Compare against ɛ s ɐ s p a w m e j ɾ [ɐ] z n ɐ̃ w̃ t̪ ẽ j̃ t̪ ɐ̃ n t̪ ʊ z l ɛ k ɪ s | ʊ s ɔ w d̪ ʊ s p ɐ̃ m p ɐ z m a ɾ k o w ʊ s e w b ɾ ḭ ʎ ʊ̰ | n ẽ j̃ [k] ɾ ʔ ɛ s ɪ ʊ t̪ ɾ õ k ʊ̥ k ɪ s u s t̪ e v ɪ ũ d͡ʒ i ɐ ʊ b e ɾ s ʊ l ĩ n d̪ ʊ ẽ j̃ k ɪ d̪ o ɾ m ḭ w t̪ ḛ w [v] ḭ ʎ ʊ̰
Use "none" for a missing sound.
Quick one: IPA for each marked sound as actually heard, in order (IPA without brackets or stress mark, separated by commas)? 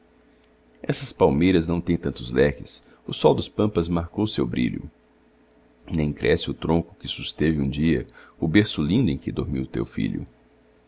ɐ, k, f